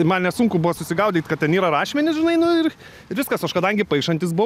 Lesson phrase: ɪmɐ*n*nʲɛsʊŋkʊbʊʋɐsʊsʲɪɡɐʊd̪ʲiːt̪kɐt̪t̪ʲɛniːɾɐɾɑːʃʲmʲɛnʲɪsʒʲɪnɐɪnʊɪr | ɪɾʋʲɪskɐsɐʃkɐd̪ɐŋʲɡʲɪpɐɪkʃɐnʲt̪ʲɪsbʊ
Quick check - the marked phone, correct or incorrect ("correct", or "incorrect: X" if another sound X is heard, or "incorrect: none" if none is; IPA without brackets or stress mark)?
correct